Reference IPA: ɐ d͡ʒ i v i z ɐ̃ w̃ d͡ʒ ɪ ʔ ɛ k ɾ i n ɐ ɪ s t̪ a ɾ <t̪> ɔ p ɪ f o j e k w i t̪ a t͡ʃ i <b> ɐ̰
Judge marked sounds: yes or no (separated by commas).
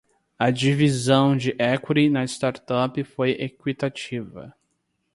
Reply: yes, no